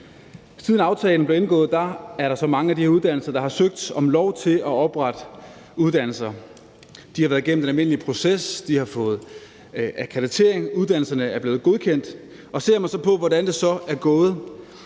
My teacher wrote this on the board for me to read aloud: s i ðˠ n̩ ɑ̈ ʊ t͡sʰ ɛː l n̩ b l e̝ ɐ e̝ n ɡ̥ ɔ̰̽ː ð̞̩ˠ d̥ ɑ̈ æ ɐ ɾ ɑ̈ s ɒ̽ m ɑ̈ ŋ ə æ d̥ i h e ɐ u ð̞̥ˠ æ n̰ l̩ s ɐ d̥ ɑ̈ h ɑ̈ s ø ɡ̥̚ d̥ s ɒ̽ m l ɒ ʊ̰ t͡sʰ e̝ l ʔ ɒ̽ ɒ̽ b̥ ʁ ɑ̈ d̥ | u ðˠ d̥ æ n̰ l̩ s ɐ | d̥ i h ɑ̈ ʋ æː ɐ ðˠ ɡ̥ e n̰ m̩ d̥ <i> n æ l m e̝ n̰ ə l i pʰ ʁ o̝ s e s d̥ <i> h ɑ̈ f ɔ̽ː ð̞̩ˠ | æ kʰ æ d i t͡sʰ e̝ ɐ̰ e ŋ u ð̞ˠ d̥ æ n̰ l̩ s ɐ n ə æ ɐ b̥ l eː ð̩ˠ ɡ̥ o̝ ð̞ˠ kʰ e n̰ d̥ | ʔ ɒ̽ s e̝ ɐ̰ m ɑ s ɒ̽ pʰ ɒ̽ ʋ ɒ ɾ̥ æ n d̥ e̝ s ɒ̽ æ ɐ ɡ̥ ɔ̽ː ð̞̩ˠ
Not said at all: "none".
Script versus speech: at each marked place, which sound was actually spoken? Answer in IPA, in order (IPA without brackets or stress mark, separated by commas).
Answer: e, i